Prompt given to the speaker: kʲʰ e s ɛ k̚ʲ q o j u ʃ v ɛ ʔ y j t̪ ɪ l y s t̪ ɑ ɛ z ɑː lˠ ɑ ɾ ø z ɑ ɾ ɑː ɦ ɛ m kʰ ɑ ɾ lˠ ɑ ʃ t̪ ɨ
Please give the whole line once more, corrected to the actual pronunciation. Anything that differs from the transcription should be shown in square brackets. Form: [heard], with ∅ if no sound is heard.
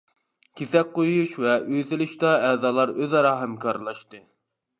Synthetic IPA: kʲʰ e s ɛ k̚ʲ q o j u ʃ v ɛ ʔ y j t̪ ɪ l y [ʃ] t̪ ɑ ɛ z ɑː lˠ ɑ ɾ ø z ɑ ɾ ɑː ɦ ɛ m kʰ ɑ ɾ lˠ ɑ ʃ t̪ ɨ